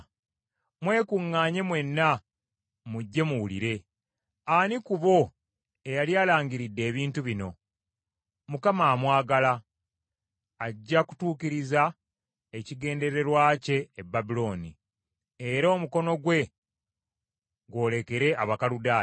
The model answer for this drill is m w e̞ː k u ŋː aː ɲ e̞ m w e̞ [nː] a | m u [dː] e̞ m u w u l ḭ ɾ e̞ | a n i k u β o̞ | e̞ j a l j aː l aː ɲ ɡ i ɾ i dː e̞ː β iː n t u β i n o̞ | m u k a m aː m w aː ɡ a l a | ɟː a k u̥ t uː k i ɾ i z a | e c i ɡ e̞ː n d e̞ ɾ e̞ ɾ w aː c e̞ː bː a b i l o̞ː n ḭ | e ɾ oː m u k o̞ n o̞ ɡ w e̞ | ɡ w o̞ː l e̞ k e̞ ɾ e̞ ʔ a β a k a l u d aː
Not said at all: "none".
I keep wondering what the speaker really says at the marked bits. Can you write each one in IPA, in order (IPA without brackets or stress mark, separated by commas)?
nː, ɟː